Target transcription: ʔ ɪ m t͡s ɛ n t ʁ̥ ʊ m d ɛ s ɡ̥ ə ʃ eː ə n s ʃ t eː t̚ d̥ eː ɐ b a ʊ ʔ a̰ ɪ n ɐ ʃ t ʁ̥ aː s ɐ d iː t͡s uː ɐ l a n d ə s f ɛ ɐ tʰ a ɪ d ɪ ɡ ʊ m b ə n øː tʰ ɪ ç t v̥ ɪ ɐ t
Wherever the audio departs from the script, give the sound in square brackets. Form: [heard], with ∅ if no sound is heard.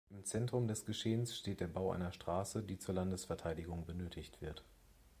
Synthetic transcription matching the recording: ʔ ɪ m t͡s ɛ n t ʁ̥ ʊ m d ɛ s ɡ̥ ə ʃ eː ə n s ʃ t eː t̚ d̥ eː ɐ b a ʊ ʔ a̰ ɪ n ɐ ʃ t ʁ̥ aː s [ə] d iː t͡s uː ɐ l a n d ə s f ɛ ɐ tʰ a ɪ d ɪ ɡ ʊ [ŋ] b ə n øː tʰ ɪ ç t v̥ ɪ ɐ t